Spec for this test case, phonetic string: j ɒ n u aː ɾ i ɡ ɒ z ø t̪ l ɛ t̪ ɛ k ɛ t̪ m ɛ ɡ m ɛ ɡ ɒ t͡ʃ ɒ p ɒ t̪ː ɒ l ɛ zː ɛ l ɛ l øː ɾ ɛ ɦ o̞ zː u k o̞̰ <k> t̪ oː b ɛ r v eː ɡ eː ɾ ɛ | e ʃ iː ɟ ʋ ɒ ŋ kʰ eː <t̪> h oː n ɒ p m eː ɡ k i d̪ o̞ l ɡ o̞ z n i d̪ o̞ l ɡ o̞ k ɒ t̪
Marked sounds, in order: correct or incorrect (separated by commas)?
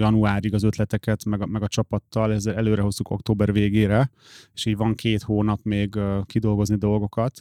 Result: correct, correct